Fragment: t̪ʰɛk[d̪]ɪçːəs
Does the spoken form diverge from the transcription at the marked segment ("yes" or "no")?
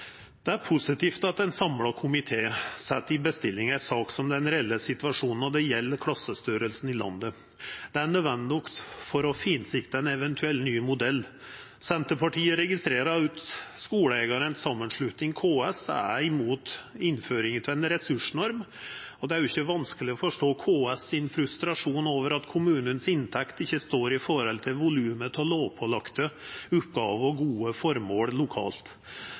yes